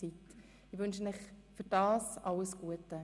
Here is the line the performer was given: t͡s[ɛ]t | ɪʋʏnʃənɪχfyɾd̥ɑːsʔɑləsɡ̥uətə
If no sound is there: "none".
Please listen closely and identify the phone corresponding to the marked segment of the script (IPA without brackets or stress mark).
i